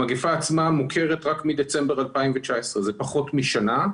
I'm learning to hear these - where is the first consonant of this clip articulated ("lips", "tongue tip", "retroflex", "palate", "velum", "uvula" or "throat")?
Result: velum